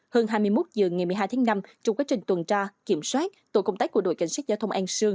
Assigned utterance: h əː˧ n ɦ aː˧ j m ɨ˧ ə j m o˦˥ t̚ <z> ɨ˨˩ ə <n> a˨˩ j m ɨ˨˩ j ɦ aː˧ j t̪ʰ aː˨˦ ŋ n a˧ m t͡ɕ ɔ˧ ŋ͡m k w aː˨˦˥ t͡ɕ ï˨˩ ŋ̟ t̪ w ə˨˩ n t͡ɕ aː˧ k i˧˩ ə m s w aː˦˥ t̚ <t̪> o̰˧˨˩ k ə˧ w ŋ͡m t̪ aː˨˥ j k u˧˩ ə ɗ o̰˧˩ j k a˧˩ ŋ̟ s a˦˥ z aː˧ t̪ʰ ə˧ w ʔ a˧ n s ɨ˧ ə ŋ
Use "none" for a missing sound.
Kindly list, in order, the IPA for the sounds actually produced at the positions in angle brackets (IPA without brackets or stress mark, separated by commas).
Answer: z, ŋ, t̪